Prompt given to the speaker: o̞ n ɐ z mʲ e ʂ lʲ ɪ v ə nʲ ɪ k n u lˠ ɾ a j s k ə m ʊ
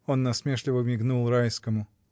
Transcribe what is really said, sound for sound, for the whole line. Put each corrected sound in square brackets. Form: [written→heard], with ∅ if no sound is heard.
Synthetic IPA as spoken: o̞ [n→nː] ɐ [z→s] mʲ e ʂ lʲ ɪ v ə [nʲ→mʲ] ɪ [k→ɡ] n u lˠ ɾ a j s k ə m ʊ